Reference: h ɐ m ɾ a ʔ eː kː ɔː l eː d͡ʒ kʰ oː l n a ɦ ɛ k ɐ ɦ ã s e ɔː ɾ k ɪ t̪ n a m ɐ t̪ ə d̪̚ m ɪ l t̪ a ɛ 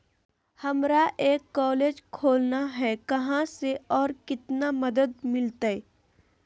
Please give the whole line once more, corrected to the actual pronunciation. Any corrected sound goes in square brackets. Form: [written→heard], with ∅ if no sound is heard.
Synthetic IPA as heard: h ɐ m ɾ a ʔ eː kː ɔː l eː d͡ʒ kʰ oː l n a ɦ ɛ k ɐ ɦ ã s e ɔː ɾ k ɪ t̪ n a m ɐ [t̪→d̪] ə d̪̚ m ɪ l t̪ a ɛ